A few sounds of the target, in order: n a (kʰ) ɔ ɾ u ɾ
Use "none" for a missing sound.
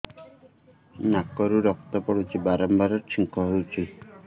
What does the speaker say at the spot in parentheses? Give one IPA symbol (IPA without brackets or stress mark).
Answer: k